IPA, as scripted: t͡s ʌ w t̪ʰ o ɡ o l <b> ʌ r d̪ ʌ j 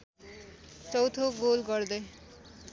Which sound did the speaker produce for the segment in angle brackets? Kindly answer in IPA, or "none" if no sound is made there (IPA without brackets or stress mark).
ɡ